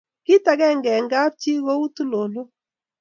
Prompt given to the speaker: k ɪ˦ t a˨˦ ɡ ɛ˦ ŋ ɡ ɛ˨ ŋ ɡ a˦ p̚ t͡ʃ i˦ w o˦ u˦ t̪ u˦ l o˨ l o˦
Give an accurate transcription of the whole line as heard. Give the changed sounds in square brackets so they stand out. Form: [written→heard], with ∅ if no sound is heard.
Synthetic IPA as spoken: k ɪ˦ t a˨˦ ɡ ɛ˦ ŋ ɡ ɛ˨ ŋ ɡ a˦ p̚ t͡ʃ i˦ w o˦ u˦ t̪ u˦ l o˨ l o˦